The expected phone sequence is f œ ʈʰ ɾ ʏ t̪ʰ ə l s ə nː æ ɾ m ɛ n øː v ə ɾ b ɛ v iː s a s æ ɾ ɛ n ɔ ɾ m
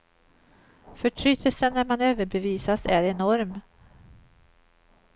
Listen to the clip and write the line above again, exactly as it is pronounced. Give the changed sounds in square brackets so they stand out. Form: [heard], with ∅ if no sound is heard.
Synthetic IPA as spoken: f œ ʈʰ ɾ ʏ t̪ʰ ə l s ə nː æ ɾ m [a] n øː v ə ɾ b ɛ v iː s a s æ ɾ ɛ n ɔ ɾ m